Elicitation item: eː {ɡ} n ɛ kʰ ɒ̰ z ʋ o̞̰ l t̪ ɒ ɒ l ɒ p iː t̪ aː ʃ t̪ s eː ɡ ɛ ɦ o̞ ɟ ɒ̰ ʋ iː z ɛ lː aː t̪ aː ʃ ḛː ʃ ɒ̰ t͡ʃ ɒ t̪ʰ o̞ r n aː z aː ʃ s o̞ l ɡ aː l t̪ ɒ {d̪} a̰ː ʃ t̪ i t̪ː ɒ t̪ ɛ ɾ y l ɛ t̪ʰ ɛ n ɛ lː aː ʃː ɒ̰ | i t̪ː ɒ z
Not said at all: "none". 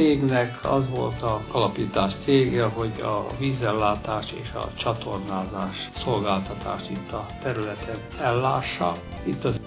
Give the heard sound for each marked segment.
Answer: ɡ, t̪

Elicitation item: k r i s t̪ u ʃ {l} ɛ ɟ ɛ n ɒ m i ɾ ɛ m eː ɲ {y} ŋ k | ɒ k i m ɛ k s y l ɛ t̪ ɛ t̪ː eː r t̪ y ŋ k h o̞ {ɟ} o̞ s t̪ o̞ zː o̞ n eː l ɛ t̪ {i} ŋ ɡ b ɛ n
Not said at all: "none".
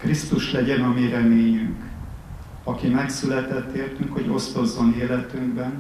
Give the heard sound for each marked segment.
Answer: l, y, ɟ, y

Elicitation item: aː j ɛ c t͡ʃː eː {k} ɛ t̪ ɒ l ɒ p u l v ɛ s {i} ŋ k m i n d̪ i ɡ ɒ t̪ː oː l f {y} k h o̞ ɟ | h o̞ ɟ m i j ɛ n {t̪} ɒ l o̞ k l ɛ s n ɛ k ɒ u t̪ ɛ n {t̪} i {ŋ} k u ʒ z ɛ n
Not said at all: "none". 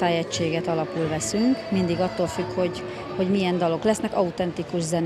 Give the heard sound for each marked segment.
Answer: ɡ, y, y, d̪, t̪, none

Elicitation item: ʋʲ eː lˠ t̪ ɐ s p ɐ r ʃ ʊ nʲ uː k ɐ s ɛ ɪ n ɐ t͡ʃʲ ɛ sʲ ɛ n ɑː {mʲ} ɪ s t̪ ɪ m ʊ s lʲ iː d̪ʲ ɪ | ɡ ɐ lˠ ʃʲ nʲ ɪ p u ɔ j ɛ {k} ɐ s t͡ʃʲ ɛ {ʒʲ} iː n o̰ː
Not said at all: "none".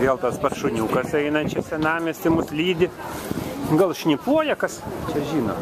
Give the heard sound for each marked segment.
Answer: mʲ, k, ʒʲ

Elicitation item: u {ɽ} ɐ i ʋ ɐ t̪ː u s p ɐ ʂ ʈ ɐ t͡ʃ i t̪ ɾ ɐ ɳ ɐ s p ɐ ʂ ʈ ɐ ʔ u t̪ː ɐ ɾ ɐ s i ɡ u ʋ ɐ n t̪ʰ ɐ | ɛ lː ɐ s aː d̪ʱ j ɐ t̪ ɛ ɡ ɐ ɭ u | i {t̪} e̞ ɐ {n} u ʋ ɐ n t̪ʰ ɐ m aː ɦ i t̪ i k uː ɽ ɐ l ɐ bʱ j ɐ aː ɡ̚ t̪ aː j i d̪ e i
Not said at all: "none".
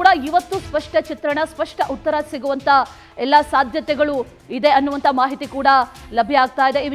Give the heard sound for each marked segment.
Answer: ɽ, d̪, nː

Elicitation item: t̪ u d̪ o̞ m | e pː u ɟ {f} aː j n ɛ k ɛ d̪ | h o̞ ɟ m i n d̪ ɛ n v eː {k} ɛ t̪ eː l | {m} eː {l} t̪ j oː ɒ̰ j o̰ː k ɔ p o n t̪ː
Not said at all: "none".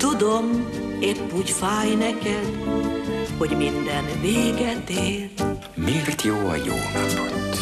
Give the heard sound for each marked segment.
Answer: f, ɡ, m, r

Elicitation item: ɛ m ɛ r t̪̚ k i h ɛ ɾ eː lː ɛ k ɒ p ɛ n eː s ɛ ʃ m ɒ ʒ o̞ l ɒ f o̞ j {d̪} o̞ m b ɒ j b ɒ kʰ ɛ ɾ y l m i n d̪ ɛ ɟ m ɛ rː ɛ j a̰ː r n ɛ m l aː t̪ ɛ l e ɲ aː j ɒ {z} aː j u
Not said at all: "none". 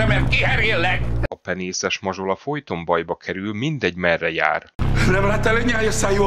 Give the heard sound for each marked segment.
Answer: t̪, s

